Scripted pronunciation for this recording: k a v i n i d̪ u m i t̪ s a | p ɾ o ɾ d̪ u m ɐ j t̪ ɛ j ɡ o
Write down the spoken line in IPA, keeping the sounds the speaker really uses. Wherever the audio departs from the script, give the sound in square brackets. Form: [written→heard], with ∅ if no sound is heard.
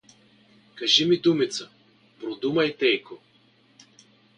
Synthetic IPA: k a [v→ʒ] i [n→m] i d̪ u m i t̪ s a | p ɾ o [ɾ→∅] d̪ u m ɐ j t̪ ɛ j [ɡ→k] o